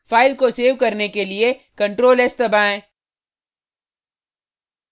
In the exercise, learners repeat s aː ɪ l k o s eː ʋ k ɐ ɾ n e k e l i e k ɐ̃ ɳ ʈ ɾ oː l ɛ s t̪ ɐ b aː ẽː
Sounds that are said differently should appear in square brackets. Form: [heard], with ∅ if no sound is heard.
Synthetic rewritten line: [f] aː ɪ l k o s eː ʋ k ɐ ɾ n e k e l i e k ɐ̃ ɳ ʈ ɾ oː l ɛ s t̪ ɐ b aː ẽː

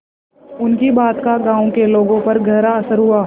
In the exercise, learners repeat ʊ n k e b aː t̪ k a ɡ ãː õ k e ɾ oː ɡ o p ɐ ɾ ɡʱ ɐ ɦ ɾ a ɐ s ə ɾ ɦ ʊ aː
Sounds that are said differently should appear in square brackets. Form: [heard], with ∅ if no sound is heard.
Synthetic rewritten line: ʊ n k [i] b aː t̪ k a ɡ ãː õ k e [l] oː ɡ [õ] p ɐ ɾ ɡʱ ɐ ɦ ɾ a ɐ s ə ɾ ɦ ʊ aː

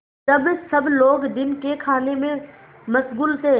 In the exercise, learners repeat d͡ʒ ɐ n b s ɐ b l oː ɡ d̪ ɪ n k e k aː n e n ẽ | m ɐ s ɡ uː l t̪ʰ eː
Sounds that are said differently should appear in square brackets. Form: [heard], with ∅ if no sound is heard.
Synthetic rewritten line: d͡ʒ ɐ [∅] b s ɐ b l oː ɡ d̪ ɪ n k e [kʰ] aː n e [m] ẽ | m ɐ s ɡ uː l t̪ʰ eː

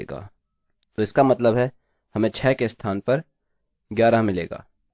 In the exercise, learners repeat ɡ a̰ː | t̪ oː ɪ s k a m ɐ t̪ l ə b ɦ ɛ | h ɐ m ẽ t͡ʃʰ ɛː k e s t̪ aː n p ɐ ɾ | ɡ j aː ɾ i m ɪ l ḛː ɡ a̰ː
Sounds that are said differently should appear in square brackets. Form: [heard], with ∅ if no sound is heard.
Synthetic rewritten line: ɡ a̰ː | t̪ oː ɪ s k a m ɐ t̪ l ə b ɦ ɛ | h ɐ m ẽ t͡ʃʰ ɛː k e s [t̪ʰ] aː n p ɐ ɾ | ɡ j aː ɾ [a] m ɪ l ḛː ɡ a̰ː

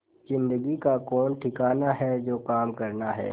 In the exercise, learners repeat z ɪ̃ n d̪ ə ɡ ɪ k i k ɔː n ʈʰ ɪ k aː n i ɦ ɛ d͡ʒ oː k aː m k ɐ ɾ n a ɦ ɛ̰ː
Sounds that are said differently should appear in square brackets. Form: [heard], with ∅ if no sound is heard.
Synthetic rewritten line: z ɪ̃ n d̪ ə ɡ [i] k [a] k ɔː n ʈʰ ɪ k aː n [a] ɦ ɛ d͡ʒ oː k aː m k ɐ ɾ n a ɦ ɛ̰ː

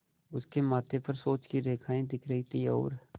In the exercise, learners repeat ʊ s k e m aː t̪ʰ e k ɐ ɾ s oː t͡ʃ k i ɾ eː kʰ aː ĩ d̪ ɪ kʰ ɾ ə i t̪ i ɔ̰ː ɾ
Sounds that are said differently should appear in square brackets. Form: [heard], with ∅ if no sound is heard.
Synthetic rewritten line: ʊ s k e m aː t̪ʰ e [p] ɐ ɾ s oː t͡ʃ k i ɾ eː kʰ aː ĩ d̪ ɪ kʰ ɾ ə i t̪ i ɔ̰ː ɾ

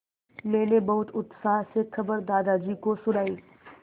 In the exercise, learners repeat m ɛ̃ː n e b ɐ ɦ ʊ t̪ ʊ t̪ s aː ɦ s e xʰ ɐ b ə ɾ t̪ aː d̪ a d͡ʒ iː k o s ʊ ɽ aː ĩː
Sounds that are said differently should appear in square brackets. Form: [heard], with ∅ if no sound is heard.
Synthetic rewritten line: m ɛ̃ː n e b ɐ ɦ ʊ t̪ ʊ t̪ s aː ɦ s e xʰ ɐ b ə ɾ [d̪] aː d̪ a d͡ʒ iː k o s ʊ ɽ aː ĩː

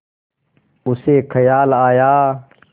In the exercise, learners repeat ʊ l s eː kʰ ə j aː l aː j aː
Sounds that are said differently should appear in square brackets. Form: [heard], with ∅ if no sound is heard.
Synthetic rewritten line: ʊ [∅] s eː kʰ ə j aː l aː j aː

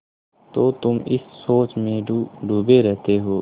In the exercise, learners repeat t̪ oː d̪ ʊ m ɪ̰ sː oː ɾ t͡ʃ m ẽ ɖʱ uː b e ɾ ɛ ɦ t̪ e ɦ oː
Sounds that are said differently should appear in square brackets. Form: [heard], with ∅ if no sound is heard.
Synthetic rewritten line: t̪ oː [t̪] ʊ m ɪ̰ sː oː [∅] t͡ʃ m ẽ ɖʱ uː b e ɾ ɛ ɦ t̪ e ɦ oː

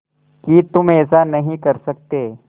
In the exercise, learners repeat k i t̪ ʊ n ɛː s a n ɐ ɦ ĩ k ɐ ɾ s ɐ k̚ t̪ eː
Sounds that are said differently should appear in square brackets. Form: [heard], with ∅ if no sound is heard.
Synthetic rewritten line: k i t̪ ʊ [m] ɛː s a n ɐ ɦ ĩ k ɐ ɾ s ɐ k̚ t̪ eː

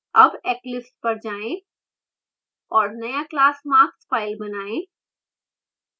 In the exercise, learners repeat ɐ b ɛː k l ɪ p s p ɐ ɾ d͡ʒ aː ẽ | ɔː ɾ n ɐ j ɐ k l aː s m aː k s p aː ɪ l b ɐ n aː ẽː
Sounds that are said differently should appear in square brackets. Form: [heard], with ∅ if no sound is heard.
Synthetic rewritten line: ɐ b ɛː k l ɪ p s p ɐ ɾ d͡ʒ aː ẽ | ɔː ɾ n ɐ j [a] k l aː s m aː k s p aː ɪ l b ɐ n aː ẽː

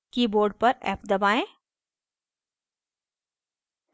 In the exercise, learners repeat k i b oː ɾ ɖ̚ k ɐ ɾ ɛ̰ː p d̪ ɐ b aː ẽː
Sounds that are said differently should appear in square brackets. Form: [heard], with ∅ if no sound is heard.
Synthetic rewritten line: k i b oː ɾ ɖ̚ [p] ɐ ɾ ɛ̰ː p d̪ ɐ b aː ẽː

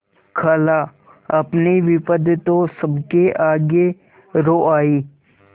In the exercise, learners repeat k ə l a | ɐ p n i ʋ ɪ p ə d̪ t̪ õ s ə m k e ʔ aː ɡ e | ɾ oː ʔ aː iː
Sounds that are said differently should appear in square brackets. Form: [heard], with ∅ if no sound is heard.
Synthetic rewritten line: [kʰ] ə l a | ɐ p n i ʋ ɪ p ə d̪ t̪ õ s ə [b] k e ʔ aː ɡ e | ɾ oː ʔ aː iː

